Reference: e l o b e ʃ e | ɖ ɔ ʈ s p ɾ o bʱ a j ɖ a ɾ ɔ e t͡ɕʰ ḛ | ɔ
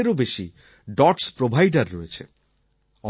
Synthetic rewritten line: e ɾ o b e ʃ i | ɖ ɔ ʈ s p ɾ o bʱ a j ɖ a ɾː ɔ e t͡ɕʰ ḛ | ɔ